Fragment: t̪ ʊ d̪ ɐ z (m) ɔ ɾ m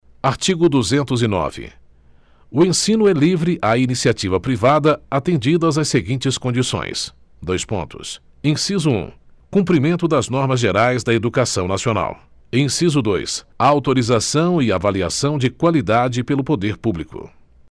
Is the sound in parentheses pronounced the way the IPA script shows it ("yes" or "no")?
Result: no